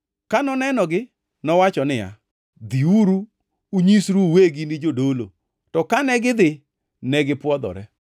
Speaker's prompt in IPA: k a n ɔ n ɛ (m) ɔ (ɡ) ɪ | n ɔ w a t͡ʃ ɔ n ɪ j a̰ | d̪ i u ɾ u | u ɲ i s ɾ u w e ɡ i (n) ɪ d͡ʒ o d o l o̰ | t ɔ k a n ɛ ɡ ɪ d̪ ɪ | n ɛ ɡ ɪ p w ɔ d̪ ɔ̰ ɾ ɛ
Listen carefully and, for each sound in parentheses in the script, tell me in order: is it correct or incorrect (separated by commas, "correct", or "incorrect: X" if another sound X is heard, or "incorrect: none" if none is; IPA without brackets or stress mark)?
incorrect: n, correct, correct